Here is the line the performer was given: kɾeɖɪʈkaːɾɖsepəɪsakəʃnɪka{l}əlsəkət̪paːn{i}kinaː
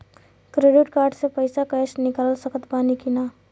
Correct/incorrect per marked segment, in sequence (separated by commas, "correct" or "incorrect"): correct, correct